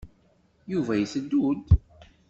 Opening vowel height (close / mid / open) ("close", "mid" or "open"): close